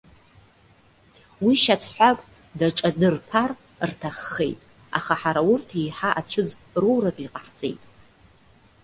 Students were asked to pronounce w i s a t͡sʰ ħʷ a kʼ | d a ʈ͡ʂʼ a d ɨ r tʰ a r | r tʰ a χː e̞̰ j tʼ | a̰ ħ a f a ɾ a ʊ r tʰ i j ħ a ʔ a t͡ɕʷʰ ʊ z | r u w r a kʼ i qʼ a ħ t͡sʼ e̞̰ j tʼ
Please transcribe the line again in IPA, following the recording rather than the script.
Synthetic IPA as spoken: w i ʃ a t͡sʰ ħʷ a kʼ | d a ʈ͡ʂʼ a d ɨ r pʰ a r | r tʰ a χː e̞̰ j tʼ | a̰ χ a ħ a ɾ a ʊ r tʰ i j ħ a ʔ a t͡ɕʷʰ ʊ d͡z | r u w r a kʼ i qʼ a ħ t͡sʼ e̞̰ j tʼ

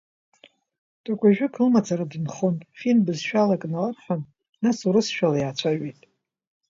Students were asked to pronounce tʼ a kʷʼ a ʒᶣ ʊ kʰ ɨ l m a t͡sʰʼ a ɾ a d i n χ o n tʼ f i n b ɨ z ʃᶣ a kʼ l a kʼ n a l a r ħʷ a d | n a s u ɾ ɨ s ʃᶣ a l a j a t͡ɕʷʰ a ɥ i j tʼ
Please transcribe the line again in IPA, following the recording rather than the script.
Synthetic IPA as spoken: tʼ a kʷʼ a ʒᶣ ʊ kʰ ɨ l m a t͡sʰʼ a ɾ a d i n χ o n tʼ f i n b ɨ z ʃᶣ a l a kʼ n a l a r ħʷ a n | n a s u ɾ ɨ s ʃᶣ a l a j a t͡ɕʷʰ a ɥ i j tʼ

